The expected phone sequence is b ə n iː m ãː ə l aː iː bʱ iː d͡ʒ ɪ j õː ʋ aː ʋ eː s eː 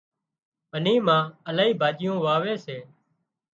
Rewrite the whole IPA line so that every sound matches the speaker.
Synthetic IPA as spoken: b ə n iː m ãː ə l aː iː bʱ aː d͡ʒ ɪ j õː ʋ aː ʋ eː s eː